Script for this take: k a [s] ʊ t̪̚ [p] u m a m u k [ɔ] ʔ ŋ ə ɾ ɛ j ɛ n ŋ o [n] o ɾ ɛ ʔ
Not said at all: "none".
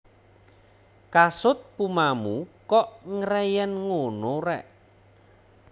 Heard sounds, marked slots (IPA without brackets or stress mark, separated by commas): s, p, ɔ, n